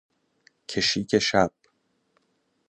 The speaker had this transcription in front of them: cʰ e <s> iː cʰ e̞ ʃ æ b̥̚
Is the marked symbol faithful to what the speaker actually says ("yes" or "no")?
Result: no